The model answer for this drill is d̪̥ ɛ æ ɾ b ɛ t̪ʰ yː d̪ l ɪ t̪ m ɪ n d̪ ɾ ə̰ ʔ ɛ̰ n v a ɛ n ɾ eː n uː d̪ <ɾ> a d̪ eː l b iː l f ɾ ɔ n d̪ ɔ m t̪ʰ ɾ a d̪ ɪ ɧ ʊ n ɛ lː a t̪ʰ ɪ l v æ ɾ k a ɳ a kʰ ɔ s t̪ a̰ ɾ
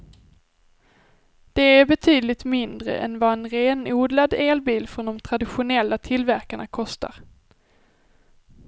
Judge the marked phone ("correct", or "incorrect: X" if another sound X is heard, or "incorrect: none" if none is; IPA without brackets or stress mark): incorrect: l